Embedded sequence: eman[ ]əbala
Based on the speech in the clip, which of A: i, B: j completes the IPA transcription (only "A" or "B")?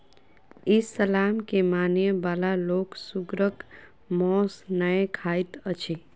B